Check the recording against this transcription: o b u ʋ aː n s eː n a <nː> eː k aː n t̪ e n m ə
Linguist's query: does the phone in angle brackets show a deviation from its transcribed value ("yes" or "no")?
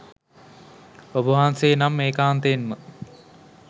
yes